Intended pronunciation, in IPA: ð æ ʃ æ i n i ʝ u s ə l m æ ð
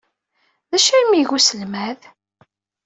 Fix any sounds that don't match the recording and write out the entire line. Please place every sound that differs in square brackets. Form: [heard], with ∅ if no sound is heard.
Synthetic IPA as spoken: ð æ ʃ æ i [m] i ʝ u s ə l m æ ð